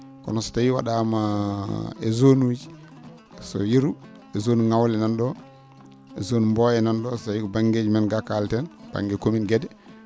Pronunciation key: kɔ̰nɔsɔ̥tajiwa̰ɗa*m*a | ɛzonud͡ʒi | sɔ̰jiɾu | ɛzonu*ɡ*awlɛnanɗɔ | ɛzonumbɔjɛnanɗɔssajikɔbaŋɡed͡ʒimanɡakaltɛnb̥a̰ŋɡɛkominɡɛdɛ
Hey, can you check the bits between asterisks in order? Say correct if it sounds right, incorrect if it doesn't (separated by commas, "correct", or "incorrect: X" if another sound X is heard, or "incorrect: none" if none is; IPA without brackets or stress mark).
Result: correct, incorrect: ŋ